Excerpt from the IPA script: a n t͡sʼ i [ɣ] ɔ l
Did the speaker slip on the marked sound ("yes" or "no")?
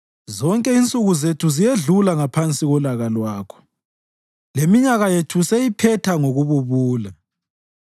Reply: no